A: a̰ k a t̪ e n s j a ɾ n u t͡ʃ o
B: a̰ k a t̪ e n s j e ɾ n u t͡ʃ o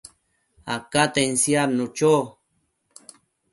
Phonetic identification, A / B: A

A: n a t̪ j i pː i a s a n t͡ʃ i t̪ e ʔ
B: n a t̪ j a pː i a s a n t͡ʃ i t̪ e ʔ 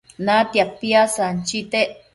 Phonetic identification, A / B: B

